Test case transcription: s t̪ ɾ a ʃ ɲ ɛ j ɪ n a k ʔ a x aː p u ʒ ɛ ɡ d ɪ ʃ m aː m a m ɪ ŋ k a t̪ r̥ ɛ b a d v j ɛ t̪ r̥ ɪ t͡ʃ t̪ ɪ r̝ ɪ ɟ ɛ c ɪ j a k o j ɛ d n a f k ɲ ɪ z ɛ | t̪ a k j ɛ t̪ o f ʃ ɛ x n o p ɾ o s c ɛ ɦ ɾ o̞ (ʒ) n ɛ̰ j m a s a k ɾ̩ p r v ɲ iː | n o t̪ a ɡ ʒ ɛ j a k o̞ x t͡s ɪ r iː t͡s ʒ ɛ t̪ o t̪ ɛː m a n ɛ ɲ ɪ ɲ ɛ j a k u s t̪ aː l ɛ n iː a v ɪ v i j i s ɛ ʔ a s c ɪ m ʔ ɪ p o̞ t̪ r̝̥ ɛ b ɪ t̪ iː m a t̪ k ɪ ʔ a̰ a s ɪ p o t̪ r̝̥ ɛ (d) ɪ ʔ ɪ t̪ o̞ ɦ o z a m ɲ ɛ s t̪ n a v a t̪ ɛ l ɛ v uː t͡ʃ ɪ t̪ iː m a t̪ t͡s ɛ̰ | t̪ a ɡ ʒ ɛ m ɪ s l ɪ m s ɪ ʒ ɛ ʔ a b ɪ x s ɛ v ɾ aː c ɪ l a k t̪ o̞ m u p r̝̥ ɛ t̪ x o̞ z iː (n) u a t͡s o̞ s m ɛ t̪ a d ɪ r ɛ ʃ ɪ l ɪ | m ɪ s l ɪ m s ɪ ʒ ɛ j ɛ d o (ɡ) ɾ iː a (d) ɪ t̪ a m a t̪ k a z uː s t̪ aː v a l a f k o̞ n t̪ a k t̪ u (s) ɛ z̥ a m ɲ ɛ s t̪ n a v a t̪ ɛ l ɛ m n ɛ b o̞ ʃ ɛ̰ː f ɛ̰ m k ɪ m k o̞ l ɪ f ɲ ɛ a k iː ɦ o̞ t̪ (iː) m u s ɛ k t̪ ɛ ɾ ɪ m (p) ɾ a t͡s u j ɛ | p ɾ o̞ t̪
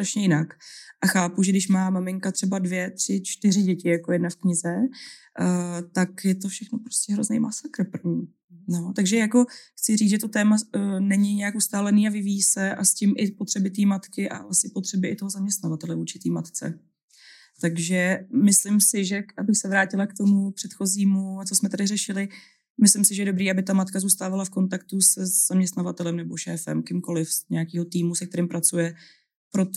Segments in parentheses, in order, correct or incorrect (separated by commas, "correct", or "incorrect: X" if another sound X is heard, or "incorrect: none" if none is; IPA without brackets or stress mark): incorrect: z, incorrect: b, incorrect: m, incorrect: b, incorrect: b, correct, correct, correct